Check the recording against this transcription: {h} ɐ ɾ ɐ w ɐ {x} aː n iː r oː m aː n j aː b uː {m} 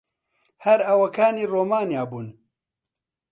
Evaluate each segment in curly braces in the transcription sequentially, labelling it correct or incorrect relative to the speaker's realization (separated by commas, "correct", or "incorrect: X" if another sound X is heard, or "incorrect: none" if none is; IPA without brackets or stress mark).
correct, incorrect: k, incorrect: n